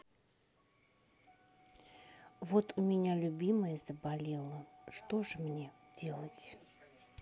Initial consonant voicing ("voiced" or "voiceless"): voiced